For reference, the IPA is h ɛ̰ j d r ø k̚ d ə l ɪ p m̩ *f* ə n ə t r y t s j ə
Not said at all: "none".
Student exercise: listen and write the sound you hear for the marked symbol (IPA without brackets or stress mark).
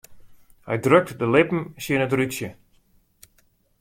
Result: s